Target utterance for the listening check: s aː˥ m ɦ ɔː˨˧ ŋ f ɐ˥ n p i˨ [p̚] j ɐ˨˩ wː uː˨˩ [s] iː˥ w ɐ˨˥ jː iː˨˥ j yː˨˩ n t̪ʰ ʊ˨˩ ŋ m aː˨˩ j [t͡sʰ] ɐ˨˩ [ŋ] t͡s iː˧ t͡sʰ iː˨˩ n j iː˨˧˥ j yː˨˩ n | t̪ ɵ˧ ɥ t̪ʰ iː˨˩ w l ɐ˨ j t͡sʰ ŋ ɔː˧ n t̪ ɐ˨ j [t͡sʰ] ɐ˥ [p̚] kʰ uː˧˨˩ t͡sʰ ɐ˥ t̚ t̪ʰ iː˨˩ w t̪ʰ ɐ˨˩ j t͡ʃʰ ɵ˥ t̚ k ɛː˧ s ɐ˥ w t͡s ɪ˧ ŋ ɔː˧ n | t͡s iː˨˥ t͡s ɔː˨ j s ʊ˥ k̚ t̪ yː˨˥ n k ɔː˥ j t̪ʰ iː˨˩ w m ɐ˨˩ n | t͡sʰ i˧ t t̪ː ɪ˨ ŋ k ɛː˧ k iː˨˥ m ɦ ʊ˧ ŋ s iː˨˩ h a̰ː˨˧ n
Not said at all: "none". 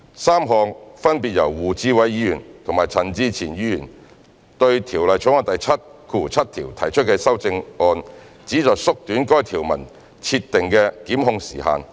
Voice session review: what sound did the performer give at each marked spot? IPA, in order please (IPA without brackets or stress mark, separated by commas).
t̚, t͡s, t͡sʰ, n, t͡sʰ, t̚